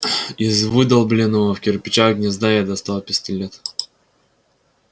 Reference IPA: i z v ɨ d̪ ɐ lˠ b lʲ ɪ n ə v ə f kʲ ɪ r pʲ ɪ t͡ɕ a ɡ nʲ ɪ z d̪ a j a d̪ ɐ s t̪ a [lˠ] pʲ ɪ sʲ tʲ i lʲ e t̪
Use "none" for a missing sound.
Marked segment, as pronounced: lˠ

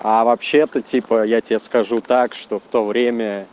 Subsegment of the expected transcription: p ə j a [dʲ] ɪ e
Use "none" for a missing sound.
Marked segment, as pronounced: tʲ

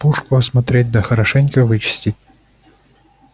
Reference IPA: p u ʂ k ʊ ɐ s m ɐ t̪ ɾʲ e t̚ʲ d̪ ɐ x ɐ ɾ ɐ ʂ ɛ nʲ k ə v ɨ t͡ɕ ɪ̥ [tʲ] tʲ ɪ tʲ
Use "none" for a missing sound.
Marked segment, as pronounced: sʲ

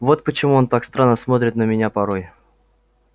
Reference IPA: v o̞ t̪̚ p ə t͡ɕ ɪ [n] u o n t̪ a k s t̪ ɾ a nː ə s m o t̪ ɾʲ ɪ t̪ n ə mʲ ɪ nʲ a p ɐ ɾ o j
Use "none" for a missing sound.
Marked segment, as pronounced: m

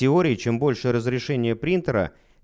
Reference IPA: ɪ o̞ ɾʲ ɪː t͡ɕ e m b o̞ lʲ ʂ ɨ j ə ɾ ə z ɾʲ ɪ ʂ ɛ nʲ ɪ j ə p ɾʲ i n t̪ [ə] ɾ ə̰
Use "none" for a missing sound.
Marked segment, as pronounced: ə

